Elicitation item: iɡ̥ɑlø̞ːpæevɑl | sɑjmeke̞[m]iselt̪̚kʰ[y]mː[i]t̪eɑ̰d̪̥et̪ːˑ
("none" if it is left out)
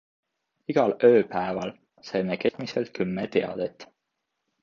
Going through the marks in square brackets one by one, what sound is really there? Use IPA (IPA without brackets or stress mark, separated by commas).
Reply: m, y, e